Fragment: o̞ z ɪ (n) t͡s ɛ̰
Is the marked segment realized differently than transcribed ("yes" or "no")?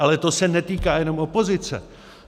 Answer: yes